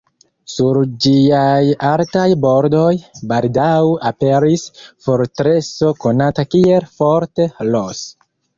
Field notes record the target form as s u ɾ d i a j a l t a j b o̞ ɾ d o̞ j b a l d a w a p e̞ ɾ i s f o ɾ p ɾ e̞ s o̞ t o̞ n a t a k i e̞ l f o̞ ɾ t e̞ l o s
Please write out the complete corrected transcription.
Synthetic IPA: s u ɾ d͡ʒ i a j a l t a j b o̞ ɾ d o̞ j b a l d a w a p e̞ ɾ i s f o ɾ t ɾ e̞ s o̞ k o̞ n a t a k i e̞ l f o̞ ɾ t e̞ l o s